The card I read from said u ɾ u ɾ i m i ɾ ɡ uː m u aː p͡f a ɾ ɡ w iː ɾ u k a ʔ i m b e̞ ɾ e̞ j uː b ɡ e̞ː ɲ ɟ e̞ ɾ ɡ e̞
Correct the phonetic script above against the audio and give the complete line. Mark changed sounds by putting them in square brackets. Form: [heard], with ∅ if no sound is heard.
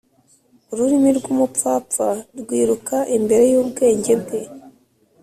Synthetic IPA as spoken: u ɾ u ɾ i m i ɾ ɡ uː m u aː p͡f a ɾ ɡ w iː ɾ u k a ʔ i m b e̞ ɾ e̞ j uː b ɡ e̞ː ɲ ɟ e̞ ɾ ɡ e̞